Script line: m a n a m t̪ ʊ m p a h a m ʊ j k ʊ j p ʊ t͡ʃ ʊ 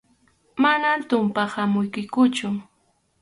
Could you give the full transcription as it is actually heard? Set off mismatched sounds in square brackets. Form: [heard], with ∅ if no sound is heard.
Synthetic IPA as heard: m a n a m t̪ ʊ m p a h a m ʊ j k ʊ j [k] ʊ t͡ʃ ʊ